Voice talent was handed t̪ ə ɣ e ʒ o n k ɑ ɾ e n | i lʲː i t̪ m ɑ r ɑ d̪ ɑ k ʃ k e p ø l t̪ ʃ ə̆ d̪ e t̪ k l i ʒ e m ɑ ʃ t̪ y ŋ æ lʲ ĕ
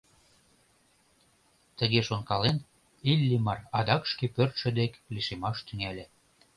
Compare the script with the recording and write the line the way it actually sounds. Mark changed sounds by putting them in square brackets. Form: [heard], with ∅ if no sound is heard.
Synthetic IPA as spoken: t̪ ə ɣ e [ʃ] o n k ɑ [l] e n | i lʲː i [∅] m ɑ r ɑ d̪ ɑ k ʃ k e p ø [r] t̪ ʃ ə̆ d̪ e [∅] k l i [ʃ] e m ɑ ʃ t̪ y ŋ æ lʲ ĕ